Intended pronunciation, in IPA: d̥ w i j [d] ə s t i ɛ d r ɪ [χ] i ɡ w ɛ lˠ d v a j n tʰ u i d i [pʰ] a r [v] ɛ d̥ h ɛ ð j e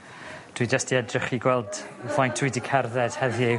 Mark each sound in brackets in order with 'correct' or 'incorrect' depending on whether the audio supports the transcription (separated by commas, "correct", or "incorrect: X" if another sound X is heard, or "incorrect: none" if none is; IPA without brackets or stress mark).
incorrect: d͡ʒ, correct, incorrect: kʰ, incorrect: ð